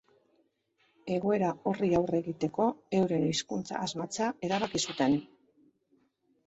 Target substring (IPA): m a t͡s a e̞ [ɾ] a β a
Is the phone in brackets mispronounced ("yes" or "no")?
no